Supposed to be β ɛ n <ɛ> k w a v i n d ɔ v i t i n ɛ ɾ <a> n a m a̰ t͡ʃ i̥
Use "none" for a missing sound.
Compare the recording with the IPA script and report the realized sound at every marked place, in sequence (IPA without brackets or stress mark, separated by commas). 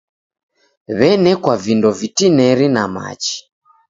ɛ, i